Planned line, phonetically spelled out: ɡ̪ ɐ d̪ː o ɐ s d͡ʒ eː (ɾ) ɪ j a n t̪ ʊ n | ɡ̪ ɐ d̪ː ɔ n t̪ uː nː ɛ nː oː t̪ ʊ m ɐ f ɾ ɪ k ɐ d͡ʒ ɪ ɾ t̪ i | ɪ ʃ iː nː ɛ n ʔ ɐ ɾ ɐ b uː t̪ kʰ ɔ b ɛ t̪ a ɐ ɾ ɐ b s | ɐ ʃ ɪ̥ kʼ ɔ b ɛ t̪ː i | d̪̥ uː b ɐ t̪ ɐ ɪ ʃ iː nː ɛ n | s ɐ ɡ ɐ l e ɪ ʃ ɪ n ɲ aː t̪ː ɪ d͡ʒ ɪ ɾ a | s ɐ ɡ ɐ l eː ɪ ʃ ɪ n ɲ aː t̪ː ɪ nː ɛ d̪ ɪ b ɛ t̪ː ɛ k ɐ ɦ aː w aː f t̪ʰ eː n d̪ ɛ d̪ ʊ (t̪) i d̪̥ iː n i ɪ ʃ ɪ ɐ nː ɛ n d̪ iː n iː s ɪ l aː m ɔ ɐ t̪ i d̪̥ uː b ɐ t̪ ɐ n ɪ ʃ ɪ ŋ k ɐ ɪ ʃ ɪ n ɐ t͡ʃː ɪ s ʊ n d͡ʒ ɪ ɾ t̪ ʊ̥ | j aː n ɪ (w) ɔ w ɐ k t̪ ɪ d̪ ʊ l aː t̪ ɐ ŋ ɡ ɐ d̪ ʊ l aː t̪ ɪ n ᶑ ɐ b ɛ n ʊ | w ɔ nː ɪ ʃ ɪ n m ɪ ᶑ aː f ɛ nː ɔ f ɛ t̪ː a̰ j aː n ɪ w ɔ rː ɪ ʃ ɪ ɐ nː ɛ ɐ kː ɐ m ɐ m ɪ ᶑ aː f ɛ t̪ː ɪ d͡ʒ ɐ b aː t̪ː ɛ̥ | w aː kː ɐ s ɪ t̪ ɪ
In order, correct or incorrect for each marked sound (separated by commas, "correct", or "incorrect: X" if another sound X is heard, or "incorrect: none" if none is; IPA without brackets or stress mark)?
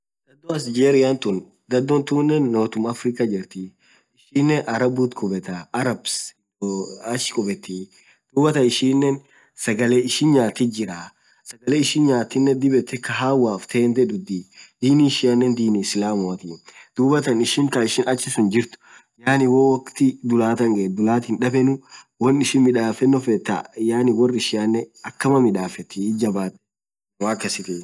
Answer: correct, incorrect: d̪, correct